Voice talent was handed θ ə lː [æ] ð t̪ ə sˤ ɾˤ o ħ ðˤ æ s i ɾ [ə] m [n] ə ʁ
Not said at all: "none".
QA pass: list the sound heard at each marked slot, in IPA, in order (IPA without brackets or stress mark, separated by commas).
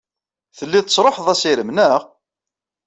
i, ə, n